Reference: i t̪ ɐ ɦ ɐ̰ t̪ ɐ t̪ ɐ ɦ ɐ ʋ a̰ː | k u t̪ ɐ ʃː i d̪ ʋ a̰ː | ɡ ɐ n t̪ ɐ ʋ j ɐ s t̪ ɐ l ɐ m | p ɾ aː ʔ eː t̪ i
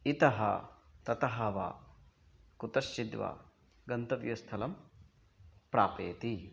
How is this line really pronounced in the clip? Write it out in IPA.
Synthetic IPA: i t̪ ɐ ɦ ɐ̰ t̪ ɐ t̪ ɐ ɦ ɐ ʋ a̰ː | k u t̪ ɐ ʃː i d̪ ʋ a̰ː | ɡ ɐ n t̪ ɐ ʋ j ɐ s t̪ʰ ɐ l ɐ m | p ɾ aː p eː t̪ i